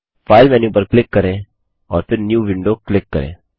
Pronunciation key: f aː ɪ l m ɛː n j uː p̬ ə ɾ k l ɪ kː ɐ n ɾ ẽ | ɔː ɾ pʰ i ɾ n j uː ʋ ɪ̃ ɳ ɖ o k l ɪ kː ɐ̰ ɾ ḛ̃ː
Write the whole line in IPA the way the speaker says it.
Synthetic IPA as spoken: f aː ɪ l m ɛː n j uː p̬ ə ɾ k l ɪ kː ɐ ɾ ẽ | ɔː ɾ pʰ ɪ ɾ n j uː ʋ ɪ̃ ɳ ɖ o k l ɪ kː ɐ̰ ɾ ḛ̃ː